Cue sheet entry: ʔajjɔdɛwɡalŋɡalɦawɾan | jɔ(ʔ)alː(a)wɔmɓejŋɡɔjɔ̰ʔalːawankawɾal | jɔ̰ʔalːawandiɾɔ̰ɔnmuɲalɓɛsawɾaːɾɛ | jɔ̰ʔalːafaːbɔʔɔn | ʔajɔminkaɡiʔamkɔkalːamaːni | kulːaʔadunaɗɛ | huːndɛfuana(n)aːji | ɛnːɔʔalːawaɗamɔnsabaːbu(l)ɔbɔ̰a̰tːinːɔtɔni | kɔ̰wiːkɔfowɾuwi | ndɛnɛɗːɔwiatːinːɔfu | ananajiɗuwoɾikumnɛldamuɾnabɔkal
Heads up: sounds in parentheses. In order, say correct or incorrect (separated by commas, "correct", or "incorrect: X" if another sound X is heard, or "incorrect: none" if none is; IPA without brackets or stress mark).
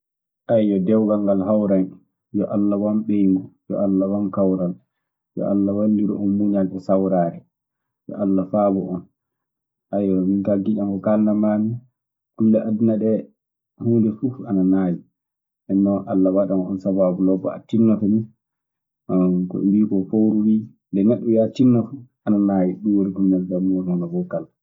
correct, correct, correct, correct